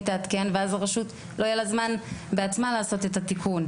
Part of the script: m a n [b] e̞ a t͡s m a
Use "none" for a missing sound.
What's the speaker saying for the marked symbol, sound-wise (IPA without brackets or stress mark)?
b